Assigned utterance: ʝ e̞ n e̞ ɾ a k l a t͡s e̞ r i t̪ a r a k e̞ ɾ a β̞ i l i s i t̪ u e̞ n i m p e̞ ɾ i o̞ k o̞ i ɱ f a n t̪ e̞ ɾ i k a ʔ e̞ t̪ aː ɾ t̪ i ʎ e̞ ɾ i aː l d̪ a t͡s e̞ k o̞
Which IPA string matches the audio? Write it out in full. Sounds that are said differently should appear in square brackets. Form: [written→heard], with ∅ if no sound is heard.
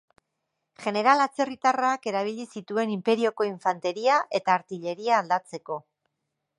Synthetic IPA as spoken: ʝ e̞ n e̞ ɾ a [k→∅] l a t͡s e̞ r i t̪ a r a k e̞ ɾ a β̞ i [l→ʎ] i s i t̪ u e̞ n i m p e̞ ɾ i o̞ k o̞ i ɱ f a n t̪ e̞ ɾ i [k→∅] a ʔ e̞ t̪ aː ɾ t̪ i ʎ e̞ ɾ i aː l d̪ a t͡s e̞ k o̞